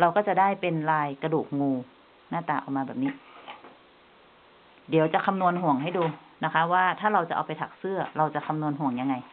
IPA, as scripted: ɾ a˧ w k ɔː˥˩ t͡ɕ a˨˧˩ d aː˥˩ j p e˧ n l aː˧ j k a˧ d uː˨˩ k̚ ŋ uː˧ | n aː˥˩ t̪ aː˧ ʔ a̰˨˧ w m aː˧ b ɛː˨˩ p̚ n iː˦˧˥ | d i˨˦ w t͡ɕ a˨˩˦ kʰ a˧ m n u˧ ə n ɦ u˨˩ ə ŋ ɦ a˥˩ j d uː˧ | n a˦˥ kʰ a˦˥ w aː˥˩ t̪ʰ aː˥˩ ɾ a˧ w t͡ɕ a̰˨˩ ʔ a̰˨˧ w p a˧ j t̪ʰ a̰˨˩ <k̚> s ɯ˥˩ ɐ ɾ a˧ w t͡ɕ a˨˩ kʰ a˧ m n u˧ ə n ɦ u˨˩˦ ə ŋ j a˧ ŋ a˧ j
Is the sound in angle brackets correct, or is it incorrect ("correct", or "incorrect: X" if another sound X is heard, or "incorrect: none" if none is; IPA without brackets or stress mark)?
correct